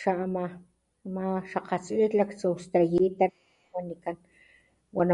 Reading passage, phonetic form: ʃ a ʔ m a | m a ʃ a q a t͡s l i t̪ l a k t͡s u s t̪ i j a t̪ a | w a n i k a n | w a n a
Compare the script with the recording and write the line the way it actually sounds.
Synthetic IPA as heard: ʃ a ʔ m a | m a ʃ a q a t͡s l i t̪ l a k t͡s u s t̪ a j i t̪ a | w a n i k a n | w a n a